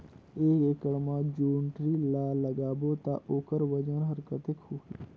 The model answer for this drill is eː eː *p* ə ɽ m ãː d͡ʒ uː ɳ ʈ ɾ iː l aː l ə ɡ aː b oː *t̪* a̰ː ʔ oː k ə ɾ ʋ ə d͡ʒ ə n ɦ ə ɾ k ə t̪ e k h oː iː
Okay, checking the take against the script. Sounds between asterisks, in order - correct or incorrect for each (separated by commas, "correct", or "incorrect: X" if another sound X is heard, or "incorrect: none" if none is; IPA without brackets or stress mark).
incorrect: k, correct